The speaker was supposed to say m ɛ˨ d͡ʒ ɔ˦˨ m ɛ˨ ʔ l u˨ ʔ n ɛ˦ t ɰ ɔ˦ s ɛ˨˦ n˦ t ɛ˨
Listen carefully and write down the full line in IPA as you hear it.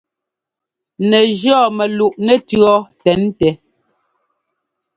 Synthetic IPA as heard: n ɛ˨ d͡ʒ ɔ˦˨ m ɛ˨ l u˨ ʔ n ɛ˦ t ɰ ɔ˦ t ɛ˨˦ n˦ t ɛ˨